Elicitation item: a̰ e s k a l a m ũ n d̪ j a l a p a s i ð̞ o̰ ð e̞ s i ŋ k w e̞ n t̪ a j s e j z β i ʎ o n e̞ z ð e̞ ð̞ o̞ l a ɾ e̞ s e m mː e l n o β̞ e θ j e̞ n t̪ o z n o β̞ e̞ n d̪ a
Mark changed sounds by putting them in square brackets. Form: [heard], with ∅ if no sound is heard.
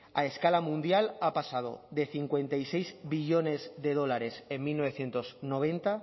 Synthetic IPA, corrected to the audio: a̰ e s k a l a m ũ n d̪ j a l a p a s [a] ð̞ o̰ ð e̞ [θ] i ŋ k w e̞ n t̪ a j s e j z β i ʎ o n e̞ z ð e̞ ð̞ o̞ l a ɾ e̞ s e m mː [i] l n o β̞ e θ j e̞ n t̪ o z n o β̞ e̞ n [t̪] a